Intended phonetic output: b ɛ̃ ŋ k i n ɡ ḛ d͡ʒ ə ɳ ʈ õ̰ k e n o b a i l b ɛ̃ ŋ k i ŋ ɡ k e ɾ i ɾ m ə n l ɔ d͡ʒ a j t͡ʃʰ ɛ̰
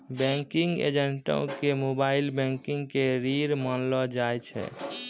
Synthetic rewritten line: b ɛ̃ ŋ k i ŋ ɡ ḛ d͡ʒ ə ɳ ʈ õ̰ k e m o b a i l b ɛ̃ ŋ k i ŋ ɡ k e ɾ i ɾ m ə n l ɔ d͡ʒ a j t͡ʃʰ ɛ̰

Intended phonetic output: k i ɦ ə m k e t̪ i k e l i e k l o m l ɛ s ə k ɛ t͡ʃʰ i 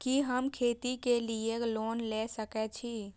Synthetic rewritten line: k i ɦ ə m kʰ e t̪ i k e l i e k l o n l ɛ s ə k ɛ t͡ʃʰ i

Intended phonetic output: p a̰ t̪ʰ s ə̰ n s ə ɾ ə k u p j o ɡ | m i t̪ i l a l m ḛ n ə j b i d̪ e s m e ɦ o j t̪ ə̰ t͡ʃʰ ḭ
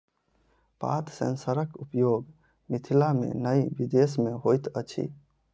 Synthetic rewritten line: p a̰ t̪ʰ s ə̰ n s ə ɾ ə k u p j o ɡ | m i t̪ʰ i l a m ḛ n ə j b i d̪ e s m e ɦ o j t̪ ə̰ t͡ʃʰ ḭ

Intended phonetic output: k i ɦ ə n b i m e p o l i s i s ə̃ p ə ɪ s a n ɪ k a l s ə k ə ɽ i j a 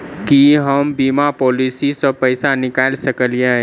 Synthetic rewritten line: k i ɦ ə m b i m a p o l i s i s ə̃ p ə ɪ s a n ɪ k a l s ə k ə l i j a

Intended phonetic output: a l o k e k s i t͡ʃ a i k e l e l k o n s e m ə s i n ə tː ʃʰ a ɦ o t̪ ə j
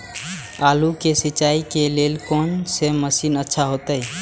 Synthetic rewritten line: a l u k e s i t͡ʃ a i k e l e l k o n s e m ə s i n ə tː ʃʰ a ɦ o t̪ ə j

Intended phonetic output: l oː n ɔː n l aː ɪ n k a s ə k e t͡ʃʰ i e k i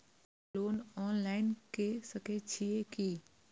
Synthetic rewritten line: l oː n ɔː n l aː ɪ n k e s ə k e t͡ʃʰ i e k i

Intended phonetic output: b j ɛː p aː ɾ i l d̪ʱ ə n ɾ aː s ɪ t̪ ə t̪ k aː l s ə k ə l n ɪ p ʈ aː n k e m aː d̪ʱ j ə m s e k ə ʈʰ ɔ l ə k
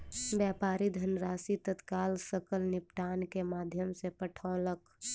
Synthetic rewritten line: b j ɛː p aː ɾ i d̪ʱ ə n ɾ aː s i t̪ ə t̪ k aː l s ə k ə l n ɪ p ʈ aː n k e m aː d̪ʱ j ə m s e p ə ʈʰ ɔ l ə k

